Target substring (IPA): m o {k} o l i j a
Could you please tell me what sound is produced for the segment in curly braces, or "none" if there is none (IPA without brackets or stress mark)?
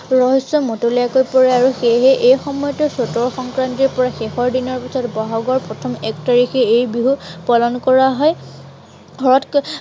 t